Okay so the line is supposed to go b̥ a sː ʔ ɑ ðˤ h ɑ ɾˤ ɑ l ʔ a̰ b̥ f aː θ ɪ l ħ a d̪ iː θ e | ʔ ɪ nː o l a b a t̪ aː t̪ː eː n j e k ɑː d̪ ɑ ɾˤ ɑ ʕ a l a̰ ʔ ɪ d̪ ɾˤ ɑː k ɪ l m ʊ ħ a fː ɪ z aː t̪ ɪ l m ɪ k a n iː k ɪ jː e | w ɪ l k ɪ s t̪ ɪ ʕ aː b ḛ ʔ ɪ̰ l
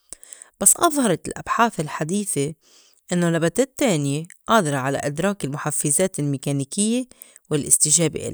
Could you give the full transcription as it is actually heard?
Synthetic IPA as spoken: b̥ a sː ʔ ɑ ðˤ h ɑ ɾˤ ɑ l ʔ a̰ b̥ ħ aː θ ɪ l ħ a d̪ iː θ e | ʔ ɪ nː o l a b a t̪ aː t̪ː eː n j e ʔ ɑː d̪ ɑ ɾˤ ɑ ʕ a l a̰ ʔ ɪ d̪ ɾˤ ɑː k ɪ l m ʊ ħ a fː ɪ z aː t̪ ɪ l m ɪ k a n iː k ɪ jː e | w ɪ l ʔ ɪ s t̪ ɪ ʒ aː b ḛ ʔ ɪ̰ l